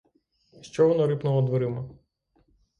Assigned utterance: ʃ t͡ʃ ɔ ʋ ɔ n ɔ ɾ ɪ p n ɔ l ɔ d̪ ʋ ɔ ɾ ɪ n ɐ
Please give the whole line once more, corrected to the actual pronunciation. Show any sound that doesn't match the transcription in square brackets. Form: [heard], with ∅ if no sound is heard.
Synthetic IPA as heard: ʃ t͡ʃ ɔ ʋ ɔ n ɔ ɾ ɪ p n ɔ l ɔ d̪ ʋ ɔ ɾ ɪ [m] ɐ